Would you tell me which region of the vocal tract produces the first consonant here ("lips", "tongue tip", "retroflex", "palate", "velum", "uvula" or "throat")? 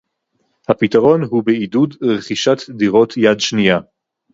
throat